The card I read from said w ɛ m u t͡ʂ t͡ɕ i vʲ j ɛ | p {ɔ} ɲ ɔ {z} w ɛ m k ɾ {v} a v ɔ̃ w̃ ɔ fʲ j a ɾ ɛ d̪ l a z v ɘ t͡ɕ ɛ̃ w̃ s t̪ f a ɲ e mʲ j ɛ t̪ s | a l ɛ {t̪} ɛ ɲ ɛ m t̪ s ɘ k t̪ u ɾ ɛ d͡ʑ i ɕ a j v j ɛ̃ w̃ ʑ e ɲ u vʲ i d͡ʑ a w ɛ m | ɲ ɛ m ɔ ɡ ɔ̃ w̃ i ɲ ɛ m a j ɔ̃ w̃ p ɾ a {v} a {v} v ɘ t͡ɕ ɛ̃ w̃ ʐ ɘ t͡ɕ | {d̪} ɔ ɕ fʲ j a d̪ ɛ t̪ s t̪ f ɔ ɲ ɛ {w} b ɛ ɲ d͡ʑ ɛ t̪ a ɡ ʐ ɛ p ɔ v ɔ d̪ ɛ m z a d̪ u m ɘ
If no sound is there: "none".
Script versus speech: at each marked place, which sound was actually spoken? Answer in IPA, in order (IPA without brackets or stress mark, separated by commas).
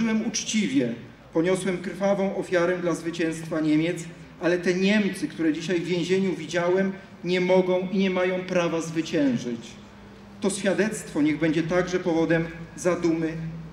ɔ, s, f, t̪, v, z, t̪, ɣ